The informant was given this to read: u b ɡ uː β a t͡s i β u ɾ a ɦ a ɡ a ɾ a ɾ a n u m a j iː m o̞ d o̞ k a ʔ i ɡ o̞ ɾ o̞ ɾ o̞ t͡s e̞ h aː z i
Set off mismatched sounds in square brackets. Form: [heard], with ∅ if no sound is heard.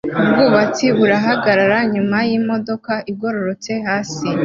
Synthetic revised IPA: u b ɡ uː β a t͡s i β u ɾ a ɦ a ɡ a ɾ a ɾ a [ɲ] u m a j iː m o̞ d o̞ k a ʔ i ɡ o̞ ɾ o̞ ɾ o̞ t͡s e̞ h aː [s] i